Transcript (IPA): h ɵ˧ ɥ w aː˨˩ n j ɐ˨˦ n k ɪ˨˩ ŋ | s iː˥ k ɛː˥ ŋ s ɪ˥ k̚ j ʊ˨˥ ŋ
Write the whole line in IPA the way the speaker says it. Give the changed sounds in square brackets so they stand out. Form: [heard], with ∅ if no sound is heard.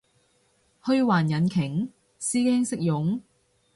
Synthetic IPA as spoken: h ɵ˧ ɥ w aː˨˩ n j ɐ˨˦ n [kʰ] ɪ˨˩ ŋ | s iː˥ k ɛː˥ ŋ s ɪ˥ k̚ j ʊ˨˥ ŋ

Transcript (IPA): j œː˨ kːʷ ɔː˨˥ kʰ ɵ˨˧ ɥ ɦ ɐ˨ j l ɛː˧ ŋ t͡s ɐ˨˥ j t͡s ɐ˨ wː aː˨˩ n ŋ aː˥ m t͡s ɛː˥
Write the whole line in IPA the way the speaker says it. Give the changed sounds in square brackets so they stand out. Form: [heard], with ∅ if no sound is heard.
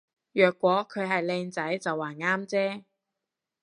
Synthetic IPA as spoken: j œː˨ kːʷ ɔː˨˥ kʰ ɵ˨˧ ɥ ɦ ɐ˨ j l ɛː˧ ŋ t͡s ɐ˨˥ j t͡s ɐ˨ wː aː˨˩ n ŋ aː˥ m t͡s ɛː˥

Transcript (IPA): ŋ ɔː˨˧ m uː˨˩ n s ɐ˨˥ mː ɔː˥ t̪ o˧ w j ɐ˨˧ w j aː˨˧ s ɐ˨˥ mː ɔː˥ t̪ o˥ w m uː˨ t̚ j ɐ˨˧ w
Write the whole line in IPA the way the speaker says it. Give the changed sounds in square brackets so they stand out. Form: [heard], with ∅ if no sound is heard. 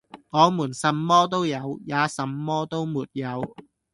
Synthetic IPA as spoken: ŋ ɔː˨˧ m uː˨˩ n s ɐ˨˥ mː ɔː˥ t̪ [o˥] w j ɐ˨˧ w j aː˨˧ s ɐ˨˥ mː ɔː˥ t̪ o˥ w m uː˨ t̚ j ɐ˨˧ w

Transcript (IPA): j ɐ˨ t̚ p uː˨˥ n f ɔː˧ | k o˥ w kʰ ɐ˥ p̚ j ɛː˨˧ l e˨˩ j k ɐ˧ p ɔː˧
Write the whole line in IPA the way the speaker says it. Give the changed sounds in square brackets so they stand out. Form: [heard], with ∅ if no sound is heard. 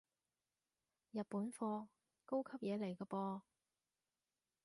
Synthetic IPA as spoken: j ɐ˨ t̚ p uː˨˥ n f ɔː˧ | k o˥ w kʰ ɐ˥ p̚ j ɛː˨˧ l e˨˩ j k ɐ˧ p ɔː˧

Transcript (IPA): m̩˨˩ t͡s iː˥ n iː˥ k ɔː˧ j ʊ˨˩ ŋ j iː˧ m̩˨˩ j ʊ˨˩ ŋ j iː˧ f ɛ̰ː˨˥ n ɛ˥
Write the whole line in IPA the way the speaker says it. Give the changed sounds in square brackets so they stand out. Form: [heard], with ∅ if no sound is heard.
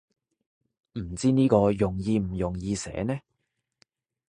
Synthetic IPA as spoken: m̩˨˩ t͡s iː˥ n iː˥ k ɔː˧ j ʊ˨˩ ŋ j iː˧ m̩˨˩ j ʊ˨˩ ŋ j iː˧ [s] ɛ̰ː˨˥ n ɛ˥

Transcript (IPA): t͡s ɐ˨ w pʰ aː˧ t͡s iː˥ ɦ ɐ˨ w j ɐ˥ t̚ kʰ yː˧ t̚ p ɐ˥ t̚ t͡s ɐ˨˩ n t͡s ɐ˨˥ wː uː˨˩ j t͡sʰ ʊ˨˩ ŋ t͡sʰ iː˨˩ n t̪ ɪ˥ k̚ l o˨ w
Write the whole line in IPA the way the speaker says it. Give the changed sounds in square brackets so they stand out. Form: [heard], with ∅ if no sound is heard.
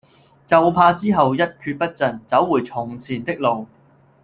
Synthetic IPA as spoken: t͡s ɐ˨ w pʰ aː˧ t͡s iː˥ ɦ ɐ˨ w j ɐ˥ t̚ kʰ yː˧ t̚ p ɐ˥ t̚ t͡s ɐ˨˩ n t͡s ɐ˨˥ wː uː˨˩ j t͡sʰ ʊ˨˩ ŋ t͡sʰ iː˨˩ n t̪ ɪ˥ k̚ l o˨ w

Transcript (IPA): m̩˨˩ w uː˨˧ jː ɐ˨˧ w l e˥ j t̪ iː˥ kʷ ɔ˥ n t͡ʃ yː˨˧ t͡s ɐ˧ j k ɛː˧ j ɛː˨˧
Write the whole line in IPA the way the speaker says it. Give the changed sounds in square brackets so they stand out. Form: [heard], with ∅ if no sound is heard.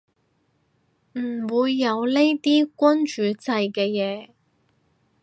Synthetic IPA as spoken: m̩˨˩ w uː˨˧ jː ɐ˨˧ w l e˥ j t̪ iː˥ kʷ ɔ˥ n t͡ʃ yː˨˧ t͡s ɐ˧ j k ɛː˧ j ɛː˨˧

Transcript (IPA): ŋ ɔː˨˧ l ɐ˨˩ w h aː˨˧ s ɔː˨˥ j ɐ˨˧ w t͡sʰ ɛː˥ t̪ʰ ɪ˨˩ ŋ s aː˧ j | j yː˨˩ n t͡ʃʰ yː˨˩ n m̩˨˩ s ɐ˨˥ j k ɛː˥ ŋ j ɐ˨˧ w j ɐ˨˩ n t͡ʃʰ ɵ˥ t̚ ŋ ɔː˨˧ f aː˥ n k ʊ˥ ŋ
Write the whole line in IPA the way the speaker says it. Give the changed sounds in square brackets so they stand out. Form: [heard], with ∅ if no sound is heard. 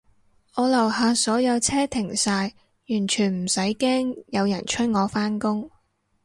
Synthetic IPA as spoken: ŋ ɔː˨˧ l ɐ˨˩ w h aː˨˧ s ɔː˨˥ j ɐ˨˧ w t͡sʰ ɛː˥ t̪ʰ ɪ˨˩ ŋ s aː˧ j | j yː˨˩ n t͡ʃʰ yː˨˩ n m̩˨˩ s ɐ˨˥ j k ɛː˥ ŋ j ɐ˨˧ w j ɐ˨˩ n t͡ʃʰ ɵ˥ t̚ ŋ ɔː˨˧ f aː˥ n k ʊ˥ ŋ

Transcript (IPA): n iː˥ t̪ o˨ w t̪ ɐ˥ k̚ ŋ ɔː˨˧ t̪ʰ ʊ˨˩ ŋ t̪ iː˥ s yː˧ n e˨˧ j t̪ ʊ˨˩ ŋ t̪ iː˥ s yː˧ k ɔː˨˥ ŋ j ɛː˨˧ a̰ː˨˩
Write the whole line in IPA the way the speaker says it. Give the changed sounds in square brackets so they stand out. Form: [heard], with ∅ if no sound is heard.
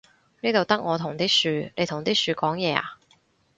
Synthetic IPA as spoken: n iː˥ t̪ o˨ w t̪ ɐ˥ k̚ ŋ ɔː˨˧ t̪ʰ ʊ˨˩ ŋ t̪ iː˥ s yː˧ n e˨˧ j [t̪ʰ] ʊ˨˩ ŋ t̪ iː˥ s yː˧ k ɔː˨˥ ŋ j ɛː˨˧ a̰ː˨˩

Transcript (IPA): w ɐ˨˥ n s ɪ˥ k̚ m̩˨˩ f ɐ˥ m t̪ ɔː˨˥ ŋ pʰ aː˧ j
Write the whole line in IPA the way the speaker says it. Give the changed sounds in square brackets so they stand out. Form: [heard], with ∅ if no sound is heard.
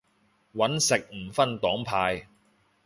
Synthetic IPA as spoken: w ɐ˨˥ n s [ɪ˨] k̚ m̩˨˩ f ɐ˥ [n] t̪ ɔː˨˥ ŋ pʰ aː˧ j

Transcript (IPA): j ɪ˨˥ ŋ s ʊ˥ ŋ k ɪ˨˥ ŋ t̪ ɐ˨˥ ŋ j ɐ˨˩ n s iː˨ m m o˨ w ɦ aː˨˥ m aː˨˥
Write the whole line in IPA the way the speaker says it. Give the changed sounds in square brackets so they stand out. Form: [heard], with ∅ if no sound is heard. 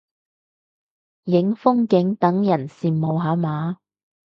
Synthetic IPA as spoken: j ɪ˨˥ ŋ [f] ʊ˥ ŋ k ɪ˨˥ ŋ t̪ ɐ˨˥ ŋ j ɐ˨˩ n s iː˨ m m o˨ w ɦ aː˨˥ m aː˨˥

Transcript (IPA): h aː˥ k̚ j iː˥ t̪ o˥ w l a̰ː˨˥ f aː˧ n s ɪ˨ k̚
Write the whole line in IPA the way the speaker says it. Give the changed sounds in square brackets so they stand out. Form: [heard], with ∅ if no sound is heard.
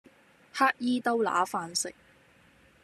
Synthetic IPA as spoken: h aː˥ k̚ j iː˥ t̪ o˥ w l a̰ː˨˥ f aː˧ n s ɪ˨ k̚

